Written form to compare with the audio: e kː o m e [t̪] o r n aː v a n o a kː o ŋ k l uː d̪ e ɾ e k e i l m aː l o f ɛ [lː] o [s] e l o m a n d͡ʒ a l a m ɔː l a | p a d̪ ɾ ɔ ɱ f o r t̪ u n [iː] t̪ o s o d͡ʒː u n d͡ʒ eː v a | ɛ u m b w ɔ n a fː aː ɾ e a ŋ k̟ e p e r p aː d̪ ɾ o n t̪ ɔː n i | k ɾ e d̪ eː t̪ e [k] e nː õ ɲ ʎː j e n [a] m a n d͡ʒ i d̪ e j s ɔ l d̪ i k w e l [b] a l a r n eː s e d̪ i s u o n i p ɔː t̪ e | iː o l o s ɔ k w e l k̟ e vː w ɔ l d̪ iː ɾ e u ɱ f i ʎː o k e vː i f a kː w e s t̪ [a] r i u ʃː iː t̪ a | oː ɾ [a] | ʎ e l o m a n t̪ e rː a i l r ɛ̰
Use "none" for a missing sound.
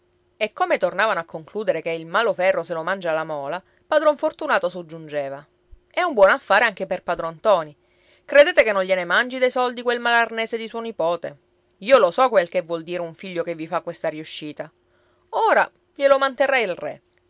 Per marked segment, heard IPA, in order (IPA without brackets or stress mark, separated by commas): t̪, rː, s, aː, k, e, m, a, a